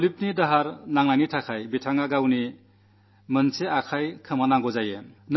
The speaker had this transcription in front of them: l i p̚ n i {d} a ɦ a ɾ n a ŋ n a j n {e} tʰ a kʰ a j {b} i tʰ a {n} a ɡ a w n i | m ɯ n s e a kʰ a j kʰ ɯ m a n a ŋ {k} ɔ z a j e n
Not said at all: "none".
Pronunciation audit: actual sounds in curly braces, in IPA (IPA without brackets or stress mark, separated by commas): d, i, b, ŋ, ɡ